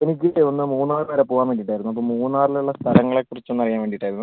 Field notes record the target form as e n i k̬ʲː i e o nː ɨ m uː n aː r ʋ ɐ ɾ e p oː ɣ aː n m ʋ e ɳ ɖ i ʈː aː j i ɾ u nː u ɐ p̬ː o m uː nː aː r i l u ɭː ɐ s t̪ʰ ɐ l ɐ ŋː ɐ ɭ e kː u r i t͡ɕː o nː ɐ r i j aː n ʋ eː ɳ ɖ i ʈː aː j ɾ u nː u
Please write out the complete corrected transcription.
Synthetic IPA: e n i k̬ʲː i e o nː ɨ m uː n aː r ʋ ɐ ɾ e p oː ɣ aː n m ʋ e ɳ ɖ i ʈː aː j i ɾ u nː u ɐ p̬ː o m uː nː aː r i l u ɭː ɐ s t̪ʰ ɐ l ɐ ŋː ɐ ɭ e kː u r i t͡ɕː o nː ɐ r i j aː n ʋ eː ɳ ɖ i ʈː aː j ɾ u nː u